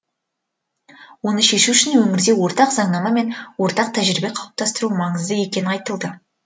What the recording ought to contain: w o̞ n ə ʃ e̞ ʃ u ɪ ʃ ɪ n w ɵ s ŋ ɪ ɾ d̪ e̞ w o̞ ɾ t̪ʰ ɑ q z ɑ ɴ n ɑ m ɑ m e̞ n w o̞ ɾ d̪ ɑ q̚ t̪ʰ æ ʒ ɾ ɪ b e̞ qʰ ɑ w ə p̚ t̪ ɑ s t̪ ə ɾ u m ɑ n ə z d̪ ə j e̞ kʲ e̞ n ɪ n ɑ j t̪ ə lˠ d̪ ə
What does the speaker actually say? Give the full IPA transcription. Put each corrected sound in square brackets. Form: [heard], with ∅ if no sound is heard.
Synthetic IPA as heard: w o̞ n ə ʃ e̞ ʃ u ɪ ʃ ɪ n w ɵ [∅] ŋ ɪ ɾ d̪ e̞ w o̞ ɾ [t̪] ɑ q z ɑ ɴ n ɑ m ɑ m e̞ n w o̞ ɾ [t̪] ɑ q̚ t̪ʰ æ ʒ ɾ ɪ b e̞ qʰ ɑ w ə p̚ t̪ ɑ s t̪ ə ɾ u m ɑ [ɴ] ə z d̪ ə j e̞ kʲ e̞ n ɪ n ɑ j t̪ ə lˠ d̪ ə

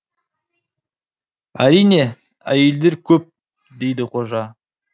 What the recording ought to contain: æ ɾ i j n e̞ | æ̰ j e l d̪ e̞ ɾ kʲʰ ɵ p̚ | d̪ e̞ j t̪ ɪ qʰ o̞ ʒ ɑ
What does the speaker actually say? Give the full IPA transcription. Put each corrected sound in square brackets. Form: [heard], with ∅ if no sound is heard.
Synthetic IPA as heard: æ ɾ i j n e̞ | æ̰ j e l d̪ e̞ ɾ kʲʰ ɵ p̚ | d̪ e̞ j [d̪] ɪ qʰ o̞ ʒ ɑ

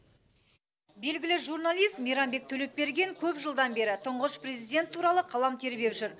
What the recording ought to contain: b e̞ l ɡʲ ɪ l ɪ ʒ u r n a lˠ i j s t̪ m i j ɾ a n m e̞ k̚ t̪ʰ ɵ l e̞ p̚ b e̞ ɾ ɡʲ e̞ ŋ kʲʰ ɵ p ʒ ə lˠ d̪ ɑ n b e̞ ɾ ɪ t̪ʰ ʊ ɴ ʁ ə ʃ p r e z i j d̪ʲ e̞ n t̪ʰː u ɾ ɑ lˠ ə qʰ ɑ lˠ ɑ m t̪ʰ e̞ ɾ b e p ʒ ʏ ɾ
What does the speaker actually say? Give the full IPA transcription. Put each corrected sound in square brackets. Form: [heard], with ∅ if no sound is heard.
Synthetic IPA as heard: b e̞ l ɡʲ ɪ l ɪ ʒ u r n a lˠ i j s t̪ m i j ɾ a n [b] e̞ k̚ t̪ʰ ɵ l e̞ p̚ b e̞ ɾ ɡʲ e̞ ŋ kʲʰ ɵ p ʒ ə lˠ d̪ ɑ n b e̞ ɾ ɪ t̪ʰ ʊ ɴ ʁ ə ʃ p r e z i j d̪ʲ e̞ n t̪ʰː u ɾ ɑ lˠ ə qʰ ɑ lˠ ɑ m t̪ʰ e̞ ɾ b e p ʒ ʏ ɾ

